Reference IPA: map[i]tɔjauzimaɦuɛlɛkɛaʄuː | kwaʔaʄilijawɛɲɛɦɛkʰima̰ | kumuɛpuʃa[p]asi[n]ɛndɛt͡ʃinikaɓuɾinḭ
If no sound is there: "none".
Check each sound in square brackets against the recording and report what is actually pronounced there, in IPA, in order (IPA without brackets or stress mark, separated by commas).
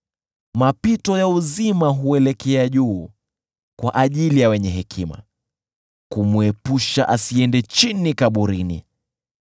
i, ʔ, none